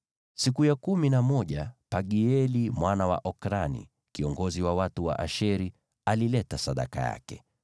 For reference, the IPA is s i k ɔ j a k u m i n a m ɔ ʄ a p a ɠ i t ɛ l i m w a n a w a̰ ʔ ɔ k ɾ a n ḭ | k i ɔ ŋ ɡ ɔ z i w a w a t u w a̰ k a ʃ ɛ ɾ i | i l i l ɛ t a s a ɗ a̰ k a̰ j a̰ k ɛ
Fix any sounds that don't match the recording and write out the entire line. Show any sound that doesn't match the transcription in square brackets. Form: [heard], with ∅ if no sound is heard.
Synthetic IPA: s i k [u] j a k u m i n a m ɔ ʄ a p a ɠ i [∅] ɛ l i m w a n a w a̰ ʔ ɔ k ɾ a n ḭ | k i ɔ ŋ ɡ ɔ z i w a w a t u w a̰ [ʔ] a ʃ ɛ ɾ i | [a] l i l ɛ t a s a ɗ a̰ k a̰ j a̰ k ɛ